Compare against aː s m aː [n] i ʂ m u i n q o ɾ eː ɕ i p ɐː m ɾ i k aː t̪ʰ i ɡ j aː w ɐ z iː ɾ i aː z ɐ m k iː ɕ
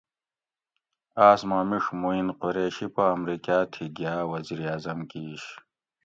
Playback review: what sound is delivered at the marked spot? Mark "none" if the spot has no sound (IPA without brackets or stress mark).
m